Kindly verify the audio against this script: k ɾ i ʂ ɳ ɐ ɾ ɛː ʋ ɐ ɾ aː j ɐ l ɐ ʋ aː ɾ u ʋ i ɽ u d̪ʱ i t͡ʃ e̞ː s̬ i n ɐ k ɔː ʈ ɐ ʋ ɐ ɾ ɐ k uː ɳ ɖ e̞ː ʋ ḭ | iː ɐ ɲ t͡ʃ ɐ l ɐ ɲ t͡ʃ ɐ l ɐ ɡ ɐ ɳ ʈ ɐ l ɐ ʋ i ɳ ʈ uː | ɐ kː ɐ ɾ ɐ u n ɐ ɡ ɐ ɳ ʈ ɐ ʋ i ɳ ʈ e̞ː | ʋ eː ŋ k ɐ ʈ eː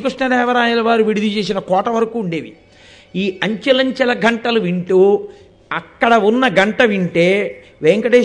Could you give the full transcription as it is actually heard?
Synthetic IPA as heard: k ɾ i ʂ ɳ ɐ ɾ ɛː ʋ ɐ ɾ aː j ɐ l ɐ ʋ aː ɾ u ʋ i ɽ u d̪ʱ i t͡ʃ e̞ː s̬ i n ɐ k ɔː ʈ ɐ ʋ ɐ ɾ ɐ k uː ɳ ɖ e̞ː ʋ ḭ | iː ɐ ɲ t͡ʃ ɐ l ɐ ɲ t͡ʃ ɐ l ɐ ɡ ɐ ɳ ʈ ɐ l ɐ ʋ i ɳ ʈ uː | ɐ kː ɐ ɽ ɐ u nː ɐ ɡ ɐ ɳ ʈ ɐ ʋ i ɳ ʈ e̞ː | ʋ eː ŋ k ɐ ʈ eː